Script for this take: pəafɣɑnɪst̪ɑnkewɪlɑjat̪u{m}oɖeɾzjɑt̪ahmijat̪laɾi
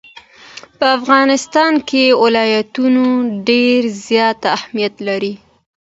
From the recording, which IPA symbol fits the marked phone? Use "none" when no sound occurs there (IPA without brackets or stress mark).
n